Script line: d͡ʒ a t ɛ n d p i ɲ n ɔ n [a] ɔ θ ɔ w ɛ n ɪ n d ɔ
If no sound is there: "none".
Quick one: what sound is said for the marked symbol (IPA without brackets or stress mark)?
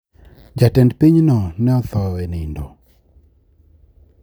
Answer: ɛ